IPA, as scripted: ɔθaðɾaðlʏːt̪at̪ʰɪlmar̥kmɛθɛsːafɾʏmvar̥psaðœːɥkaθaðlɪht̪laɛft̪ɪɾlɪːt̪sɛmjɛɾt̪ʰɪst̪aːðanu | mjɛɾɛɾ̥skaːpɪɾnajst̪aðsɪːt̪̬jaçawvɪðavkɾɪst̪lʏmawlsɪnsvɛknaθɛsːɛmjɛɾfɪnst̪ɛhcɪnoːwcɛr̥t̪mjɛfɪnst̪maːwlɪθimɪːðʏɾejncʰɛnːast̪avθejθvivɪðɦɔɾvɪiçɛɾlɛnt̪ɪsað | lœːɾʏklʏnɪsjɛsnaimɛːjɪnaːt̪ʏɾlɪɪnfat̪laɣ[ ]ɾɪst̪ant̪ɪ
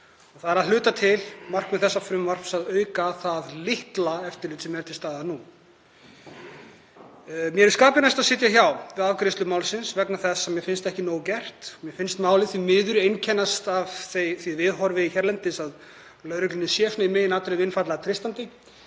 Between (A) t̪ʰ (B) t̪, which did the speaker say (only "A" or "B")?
A